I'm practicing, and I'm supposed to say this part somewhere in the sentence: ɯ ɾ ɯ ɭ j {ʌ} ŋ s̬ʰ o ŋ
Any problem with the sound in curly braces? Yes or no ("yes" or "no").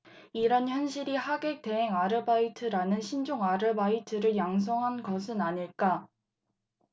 yes